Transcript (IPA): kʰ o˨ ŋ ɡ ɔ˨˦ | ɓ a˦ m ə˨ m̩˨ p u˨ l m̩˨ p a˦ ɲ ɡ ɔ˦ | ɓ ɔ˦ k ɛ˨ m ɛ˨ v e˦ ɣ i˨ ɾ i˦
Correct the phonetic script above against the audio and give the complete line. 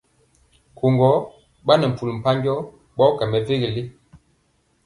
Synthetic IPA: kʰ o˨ ŋ ɡ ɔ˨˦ | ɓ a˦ n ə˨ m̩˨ p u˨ l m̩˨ p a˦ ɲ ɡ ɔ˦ | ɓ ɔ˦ k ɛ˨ m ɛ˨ v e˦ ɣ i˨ l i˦